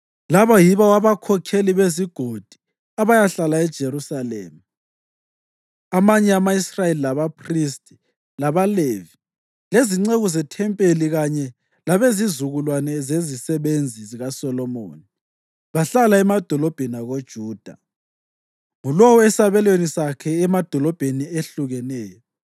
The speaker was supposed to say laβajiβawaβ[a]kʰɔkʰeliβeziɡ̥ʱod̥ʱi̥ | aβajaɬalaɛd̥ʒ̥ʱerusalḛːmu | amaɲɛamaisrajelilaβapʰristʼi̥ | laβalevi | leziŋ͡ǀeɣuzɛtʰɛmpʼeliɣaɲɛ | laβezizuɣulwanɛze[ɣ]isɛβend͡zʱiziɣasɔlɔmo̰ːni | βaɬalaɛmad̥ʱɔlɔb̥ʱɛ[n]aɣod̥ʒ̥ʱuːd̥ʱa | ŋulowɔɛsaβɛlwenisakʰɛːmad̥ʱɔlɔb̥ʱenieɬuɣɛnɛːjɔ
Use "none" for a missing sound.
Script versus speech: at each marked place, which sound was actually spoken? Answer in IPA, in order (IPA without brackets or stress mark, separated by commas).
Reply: a, z, n